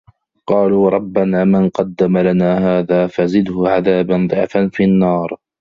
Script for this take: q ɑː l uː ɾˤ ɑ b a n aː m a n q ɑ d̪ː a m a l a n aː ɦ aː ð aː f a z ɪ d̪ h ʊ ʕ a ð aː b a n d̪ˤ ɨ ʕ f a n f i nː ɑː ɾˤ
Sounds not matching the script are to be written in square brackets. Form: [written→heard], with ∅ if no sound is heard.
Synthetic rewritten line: q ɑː l uː ɾˤ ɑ [b→bː] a n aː m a n q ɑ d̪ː a m a l a n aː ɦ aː ð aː f a z ɪ d̪ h ʊ ʕ a ð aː b a n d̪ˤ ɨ ʕ f a n f i nː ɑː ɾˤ